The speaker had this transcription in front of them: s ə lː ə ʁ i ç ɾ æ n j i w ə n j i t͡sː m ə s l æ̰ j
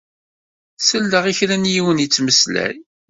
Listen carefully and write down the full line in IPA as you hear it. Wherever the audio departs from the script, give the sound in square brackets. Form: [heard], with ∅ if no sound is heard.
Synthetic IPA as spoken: s ə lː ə ʁ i ç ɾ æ n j i w ə n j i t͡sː m ə s l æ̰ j